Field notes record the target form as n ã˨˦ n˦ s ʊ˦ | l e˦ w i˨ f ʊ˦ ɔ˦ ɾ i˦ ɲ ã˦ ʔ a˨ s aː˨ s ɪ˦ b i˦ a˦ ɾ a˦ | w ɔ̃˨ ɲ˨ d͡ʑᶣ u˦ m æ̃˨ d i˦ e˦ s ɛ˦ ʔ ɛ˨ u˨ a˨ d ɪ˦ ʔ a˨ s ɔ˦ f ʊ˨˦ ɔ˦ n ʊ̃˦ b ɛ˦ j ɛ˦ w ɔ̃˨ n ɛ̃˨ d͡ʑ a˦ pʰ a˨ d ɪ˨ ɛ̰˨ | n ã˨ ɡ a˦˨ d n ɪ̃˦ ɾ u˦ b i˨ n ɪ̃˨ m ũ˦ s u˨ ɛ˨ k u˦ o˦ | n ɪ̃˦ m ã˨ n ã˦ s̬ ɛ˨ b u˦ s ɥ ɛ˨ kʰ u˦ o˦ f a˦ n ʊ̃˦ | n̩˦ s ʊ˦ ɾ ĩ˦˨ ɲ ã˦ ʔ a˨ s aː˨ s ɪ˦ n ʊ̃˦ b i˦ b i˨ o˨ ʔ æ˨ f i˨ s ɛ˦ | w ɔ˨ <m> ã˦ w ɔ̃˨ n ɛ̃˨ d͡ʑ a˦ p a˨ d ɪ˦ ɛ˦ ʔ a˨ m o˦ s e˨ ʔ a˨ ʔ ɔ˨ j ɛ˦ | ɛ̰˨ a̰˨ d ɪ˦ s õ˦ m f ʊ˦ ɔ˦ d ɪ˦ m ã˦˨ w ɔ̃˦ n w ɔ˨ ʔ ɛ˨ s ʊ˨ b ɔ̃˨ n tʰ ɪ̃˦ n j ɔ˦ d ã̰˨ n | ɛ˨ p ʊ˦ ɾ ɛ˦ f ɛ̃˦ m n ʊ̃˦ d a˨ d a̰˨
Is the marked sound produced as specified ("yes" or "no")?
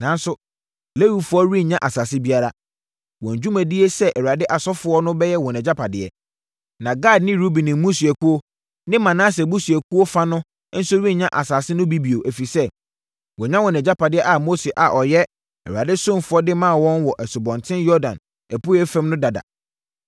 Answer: no